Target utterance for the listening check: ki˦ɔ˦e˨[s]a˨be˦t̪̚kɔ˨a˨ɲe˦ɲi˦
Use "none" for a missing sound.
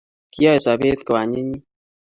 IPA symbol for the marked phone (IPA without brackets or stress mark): s